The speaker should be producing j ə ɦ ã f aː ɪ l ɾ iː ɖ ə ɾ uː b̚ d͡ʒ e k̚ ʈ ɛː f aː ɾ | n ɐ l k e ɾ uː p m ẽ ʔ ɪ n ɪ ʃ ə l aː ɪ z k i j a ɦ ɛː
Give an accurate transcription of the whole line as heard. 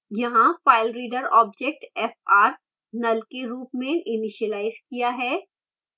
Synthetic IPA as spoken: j ɐ ɦ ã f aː ɪ l ɾ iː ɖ ə ɾ ɔː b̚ d͡ʒ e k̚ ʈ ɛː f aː ɾ | n ɐ l k e ɾ uː p m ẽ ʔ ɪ n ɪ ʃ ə l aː ɪ z k i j a ɦ ɛː